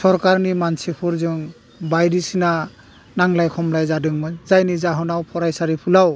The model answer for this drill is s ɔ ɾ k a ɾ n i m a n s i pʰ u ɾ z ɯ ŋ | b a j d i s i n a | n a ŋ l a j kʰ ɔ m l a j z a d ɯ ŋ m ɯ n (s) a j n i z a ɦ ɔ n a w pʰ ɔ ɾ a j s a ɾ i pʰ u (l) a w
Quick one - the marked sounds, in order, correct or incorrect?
incorrect: z, correct

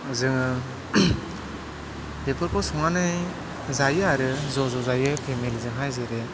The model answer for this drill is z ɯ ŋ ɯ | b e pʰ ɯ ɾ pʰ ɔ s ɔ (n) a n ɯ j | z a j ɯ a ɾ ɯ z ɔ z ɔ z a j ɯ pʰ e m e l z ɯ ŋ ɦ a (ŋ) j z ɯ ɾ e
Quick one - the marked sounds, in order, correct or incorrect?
incorrect: ŋ, incorrect: none

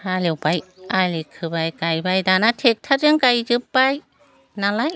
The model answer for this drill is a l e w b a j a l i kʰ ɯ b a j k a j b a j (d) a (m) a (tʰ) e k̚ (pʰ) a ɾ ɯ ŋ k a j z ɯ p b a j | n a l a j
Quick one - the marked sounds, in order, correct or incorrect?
correct, incorrect: n, correct, incorrect: tʰ

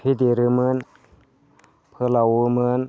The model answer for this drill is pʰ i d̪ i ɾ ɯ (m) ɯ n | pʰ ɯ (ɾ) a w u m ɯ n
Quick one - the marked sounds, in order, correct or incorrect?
correct, incorrect: l

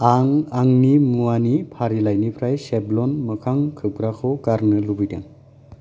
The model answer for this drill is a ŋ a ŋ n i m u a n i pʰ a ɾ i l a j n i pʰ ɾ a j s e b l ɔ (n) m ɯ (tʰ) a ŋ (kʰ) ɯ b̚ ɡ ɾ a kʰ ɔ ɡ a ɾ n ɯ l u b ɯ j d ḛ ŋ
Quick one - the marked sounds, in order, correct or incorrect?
correct, incorrect: kʰ, correct

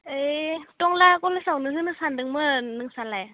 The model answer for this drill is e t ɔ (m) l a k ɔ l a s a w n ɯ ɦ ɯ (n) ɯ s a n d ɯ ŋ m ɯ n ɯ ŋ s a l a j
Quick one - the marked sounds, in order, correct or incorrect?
incorrect: ŋ, correct

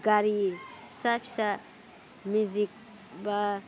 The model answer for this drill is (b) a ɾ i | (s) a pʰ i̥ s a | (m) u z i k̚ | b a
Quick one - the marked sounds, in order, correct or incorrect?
incorrect: ɡ, correct, correct

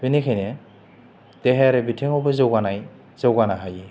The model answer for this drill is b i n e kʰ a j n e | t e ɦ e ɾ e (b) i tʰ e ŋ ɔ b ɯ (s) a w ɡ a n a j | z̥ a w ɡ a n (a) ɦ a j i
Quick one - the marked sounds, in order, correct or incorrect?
correct, incorrect: z, correct

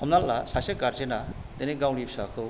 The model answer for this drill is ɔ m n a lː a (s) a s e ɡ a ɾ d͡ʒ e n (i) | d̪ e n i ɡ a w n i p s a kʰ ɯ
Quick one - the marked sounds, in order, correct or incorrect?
correct, incorrect: a

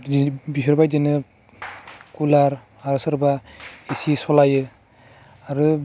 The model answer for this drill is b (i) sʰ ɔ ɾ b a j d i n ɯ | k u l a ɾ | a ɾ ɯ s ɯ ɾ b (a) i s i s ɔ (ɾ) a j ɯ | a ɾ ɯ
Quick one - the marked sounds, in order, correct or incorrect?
correct, correct, incorrect: l

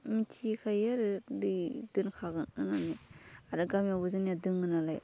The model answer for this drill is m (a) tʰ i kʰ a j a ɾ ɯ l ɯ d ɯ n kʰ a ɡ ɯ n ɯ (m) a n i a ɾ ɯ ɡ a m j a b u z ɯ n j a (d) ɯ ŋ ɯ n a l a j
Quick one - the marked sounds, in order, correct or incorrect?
incorrect: i, incorrect: n, correct

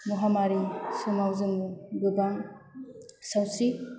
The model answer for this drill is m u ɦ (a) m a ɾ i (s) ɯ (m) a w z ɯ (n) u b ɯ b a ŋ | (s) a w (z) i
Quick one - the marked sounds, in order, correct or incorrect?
correct, correct, correct, incorrect: m, correct, incorrect: s

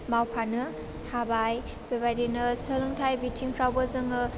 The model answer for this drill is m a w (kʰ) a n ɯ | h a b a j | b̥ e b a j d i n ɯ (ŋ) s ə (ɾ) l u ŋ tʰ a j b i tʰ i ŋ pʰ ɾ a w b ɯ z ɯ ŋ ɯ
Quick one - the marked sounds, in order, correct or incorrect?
incorrect: pʰ, incorrect: none, incorrect: none

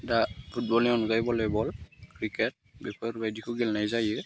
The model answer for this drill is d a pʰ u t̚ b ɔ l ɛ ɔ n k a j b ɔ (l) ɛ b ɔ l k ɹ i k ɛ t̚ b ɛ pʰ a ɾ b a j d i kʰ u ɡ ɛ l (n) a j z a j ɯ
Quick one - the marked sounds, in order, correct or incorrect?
correct, correct

